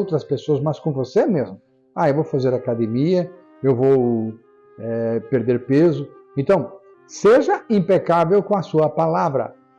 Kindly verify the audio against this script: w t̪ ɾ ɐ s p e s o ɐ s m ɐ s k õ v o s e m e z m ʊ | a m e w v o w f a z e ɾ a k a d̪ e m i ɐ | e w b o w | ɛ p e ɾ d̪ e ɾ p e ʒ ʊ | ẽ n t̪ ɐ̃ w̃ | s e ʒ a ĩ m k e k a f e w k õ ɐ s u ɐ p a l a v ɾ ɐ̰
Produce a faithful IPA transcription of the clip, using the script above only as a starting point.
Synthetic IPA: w t̪ ɾ ɐ s p e s o ɐ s m ɐ s k õ v o s e m e z m ʊ | a e w v o w f a z e ɾ a k a d̪ e m i ɐ | e w v o w | ɛ p e ɾ d̪ e ɾ p e z ʊ | ẽ n t̪ ɐ̃ w̃ | s e ʒ ɐ ĩ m p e k a v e w k õ ɐ s u ɐ p a l a v ɾ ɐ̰